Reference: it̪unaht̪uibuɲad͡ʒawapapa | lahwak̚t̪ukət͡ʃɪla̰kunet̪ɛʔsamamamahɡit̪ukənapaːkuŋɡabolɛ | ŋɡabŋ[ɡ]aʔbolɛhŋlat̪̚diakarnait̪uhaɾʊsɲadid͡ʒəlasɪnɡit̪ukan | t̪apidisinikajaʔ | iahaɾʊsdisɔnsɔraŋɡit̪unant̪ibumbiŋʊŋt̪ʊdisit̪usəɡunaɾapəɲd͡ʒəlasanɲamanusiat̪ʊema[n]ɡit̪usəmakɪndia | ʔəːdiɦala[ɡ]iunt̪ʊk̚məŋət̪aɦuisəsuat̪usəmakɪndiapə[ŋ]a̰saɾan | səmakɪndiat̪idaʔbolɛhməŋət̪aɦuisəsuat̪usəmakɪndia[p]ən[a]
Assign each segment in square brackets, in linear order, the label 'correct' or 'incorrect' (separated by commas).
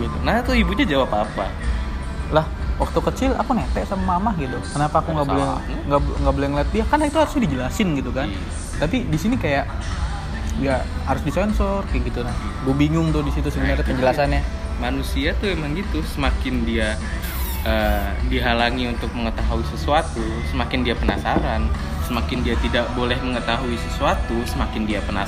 correct, incorrect, incorrect, incorrect, correct, correct